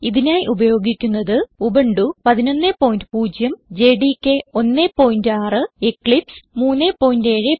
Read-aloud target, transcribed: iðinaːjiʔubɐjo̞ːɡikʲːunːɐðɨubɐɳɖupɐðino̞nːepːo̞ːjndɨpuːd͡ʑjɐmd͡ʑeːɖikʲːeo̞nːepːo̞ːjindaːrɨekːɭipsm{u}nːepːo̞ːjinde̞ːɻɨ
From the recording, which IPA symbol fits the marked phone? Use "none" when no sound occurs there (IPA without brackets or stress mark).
uː